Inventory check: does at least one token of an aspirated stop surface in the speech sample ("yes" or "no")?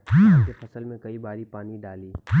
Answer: no